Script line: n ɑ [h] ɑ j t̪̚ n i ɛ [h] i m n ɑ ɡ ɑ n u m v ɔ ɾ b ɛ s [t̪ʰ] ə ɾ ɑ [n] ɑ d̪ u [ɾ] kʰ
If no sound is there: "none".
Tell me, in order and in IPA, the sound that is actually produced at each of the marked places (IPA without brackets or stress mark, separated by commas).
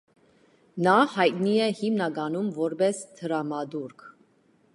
h, h, t̪ʰ, m, ɾ